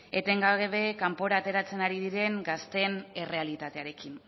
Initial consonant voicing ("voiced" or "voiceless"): voiceless